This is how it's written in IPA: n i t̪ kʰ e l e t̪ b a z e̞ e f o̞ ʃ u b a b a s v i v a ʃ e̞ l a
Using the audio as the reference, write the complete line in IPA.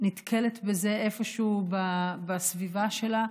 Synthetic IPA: n i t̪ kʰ e l e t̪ b e z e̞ e f o̞ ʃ u b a b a s v i v a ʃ e̞ l a